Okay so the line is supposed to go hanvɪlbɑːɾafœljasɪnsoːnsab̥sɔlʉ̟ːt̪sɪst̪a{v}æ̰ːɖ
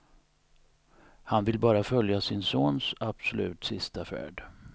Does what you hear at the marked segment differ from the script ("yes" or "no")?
yes